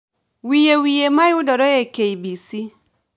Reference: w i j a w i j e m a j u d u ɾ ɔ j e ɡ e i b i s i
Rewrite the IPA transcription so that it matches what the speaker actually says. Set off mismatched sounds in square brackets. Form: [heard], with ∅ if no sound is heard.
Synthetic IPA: w i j [e] w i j e m a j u d [ɔ] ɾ ɔ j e [k] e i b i s i